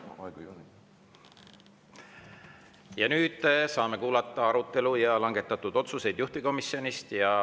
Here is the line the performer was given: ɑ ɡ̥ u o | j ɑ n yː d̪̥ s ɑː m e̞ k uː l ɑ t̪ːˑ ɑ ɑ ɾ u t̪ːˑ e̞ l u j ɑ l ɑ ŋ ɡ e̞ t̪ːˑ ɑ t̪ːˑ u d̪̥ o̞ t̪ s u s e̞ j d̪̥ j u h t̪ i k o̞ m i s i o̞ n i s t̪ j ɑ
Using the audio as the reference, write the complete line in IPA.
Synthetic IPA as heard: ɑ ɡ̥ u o | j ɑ n yː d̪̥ s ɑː m e̞ k uː l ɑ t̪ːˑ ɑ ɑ ɾ u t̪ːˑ e̞ l u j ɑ l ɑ ŋ ɡ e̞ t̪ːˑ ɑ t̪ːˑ u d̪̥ o̞ t̪ s u s e̞ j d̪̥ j u h t̪ i k o̞ m i s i o̞ n i s t̪ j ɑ

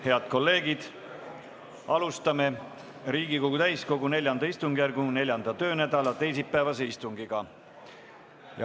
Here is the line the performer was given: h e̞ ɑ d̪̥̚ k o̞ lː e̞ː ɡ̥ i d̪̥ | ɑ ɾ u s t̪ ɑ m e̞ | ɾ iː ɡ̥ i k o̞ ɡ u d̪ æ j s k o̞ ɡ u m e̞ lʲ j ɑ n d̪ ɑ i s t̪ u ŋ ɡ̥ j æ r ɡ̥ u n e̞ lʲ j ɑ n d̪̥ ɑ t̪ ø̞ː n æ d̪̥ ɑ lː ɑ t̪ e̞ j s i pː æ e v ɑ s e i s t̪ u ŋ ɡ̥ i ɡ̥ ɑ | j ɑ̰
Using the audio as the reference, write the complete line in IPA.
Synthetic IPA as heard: h e̞ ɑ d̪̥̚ k o̞ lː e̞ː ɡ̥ i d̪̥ | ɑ l u s t̪ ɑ m e̞ | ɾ iː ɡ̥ i k o̞ ɡ u t̪ æ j s k o̞ ɡ u n e̞ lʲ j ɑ n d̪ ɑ i s t̪ u ŋ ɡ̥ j æ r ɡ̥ u n e̞ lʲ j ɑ n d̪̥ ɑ t̪ ø̞ː n æ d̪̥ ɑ l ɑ t̪ e̞ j s i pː æ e v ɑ s e i s t̪ u ŋ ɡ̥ i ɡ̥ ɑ | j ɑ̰

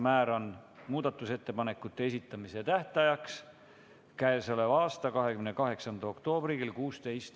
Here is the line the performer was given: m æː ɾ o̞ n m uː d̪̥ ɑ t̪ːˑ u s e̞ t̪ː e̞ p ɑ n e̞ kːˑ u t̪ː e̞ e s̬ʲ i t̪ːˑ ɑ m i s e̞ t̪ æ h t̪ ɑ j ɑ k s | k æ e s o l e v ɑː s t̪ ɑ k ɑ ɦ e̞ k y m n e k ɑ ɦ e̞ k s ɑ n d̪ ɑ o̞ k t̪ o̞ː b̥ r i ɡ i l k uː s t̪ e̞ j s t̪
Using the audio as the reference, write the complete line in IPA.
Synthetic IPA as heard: m æː ɾ o̞ n m uː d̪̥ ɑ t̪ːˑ u s e̞ t̪ː e̞ p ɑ n e̞ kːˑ u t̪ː e̞ e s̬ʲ i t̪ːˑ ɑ m i s e̞ t̪ æ h t̪ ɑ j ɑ k s | k æ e s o l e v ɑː s t̪ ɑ k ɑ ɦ e̞ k y m n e k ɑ ɦ e̞ k s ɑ n d̪ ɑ o̞ k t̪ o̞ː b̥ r i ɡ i l k uː s t̪ e̞ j s t̪

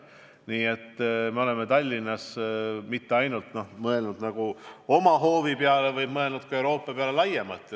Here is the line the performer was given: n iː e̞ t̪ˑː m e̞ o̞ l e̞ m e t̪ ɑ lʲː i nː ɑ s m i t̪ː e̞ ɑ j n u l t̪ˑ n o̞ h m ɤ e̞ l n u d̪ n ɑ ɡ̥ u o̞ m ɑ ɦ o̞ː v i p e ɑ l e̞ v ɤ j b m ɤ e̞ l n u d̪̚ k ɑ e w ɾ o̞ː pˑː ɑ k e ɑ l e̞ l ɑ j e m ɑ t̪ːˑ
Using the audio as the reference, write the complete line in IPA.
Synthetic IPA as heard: n iː e̞ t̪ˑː m e̞ o̞ l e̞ m e t̪ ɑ lʲː i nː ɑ s m i t̪ː e̞ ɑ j n u l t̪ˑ n o̞ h m ɤ e̞ l n u d̪ n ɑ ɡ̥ u o̞ m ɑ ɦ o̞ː v i p e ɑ l e̞ v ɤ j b m ɤ e̞ l n u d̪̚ k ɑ e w ɾ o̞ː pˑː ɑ p e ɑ l e̞ l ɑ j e m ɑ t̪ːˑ

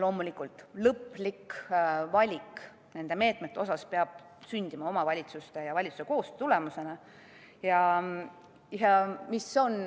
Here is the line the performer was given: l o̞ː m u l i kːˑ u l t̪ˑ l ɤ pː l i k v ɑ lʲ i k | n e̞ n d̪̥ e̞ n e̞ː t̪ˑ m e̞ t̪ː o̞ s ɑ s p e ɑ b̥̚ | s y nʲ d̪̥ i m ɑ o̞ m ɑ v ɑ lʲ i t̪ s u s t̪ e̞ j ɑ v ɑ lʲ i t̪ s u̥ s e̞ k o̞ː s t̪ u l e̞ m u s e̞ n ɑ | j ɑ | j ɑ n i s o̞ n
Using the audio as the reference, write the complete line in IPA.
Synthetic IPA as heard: l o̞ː m u l i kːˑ u l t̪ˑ l ɤ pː l i k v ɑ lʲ i k | n e̞ n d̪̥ e̞ m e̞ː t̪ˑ m e̞ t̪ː o̞ s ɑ s p e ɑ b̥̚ | s y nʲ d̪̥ i m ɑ o̞ m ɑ v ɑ lʲ i t̪ s u s t̪ e̞ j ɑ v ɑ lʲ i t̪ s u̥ s e̞ k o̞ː s t̪ u l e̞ m u s e̞ n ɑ | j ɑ | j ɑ m i s o̞ n

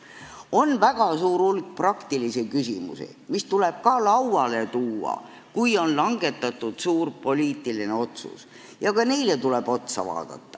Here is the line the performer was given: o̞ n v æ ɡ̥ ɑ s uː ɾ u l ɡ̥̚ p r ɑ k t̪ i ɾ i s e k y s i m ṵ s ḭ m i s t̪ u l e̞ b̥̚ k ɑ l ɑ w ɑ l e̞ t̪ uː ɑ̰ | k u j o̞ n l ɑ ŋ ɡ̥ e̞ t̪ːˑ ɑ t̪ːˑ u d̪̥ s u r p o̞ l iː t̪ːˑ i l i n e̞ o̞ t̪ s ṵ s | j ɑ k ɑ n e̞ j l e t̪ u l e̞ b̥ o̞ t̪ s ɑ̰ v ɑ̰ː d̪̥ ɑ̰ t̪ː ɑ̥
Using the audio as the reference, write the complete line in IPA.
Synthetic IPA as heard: o̞ n v æ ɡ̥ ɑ s uː ɾ u l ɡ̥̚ p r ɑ k t̪ i l i s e k y s i m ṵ s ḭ m i s t̪ u l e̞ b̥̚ k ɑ l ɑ w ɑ l e̞ t̪ uː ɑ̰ | k u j o̞ n l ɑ ŋ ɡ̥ e̞ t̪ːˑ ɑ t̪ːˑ u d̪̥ s uː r p o̞ l iː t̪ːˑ i l i n e̞ o̞ t̪ s ṵ s | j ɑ k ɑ n e̞ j l e t̪ u l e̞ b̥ o̞ t̪ s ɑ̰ v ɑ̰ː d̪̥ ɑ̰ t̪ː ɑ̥

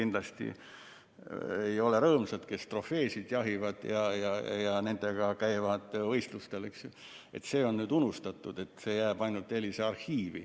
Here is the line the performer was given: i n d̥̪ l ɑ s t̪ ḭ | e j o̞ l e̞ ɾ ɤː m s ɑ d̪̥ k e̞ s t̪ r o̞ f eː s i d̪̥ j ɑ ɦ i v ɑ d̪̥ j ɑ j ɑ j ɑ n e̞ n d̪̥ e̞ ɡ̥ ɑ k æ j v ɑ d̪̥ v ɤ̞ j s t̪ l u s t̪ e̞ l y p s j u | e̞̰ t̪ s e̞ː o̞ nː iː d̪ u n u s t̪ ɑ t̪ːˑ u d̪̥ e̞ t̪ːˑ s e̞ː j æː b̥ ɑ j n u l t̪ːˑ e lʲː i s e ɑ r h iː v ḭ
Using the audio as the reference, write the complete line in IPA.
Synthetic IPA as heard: i n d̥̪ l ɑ s t̪ ḭ | e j o̞ l e̞ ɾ ɤː m s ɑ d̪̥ k e̞ s t̪ r o̞ f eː s i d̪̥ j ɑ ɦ i v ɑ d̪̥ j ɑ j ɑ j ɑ n e̞ n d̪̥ e̞ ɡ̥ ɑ k æ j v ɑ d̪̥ v ɤ̞ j s t̪ l u s t̪ e̞ l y k s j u | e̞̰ t̪ s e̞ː o̞ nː yː d̪ u n u s t̪ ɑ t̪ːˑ u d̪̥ e̞ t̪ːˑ s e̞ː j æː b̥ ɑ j n u l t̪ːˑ e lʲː i s e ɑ r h iː v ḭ

